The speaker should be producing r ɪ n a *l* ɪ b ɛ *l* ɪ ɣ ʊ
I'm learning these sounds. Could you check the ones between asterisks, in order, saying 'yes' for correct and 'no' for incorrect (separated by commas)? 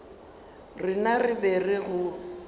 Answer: no, no